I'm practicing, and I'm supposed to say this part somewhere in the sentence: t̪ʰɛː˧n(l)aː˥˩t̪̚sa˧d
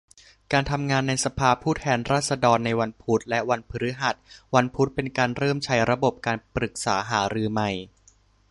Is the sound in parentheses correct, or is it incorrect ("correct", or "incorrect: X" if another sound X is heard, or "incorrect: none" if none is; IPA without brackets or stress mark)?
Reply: incorrect: ɾ